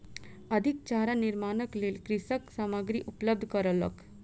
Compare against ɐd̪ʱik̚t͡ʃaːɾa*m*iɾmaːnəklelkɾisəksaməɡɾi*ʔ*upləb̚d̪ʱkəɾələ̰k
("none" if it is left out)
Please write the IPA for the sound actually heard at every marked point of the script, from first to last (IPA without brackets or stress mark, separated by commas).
n, ʔ